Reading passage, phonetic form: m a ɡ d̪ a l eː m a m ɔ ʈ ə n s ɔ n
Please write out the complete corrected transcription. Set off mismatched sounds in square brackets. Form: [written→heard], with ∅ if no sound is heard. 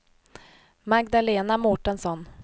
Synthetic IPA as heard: m a ɡ d̪ a l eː [m→n] a m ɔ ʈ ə n s ɔ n